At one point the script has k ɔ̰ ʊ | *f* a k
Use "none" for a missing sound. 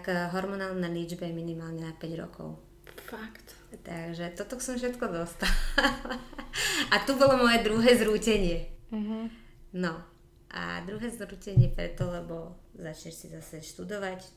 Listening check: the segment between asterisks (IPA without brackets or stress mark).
f